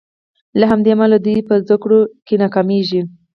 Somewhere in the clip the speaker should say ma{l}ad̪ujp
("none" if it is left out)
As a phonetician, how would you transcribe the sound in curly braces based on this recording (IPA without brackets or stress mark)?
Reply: l